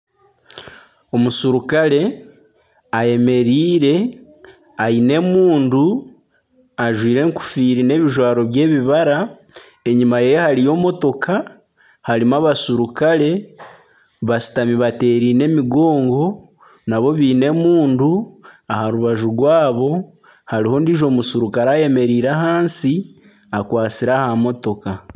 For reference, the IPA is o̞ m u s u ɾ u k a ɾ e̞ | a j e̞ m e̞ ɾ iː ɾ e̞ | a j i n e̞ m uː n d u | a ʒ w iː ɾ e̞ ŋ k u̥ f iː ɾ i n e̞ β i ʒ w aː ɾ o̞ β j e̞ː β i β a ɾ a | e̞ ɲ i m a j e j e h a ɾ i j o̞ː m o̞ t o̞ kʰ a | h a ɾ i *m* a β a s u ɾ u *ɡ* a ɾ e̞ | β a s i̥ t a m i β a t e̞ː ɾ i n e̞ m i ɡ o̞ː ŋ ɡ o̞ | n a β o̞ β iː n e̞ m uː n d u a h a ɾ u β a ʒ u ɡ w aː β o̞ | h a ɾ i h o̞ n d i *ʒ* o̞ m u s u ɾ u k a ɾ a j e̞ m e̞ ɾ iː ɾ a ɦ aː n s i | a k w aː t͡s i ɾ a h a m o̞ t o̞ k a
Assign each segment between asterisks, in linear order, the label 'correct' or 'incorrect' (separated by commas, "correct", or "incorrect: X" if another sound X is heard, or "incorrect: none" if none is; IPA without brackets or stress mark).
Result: correct, incorrect: k, correct